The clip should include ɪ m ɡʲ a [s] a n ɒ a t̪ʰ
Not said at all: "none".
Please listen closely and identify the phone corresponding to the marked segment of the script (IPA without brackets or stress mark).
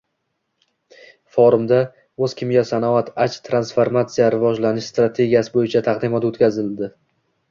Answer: s